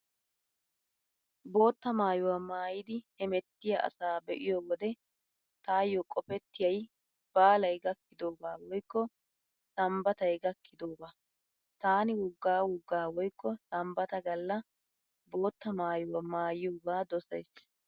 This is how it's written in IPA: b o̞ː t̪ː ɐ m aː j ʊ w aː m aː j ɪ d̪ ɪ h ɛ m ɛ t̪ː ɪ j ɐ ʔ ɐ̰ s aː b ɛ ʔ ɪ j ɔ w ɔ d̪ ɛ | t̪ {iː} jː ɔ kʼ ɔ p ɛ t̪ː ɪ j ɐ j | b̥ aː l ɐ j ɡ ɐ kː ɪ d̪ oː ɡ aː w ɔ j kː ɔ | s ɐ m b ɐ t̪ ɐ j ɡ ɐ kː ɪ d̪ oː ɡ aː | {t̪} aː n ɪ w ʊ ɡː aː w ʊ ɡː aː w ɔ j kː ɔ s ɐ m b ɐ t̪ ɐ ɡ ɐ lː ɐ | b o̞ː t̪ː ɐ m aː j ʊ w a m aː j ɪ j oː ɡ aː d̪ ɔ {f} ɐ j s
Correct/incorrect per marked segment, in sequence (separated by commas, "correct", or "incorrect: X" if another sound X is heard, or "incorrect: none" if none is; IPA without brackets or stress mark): incorrect: aː, correct, incorrect: s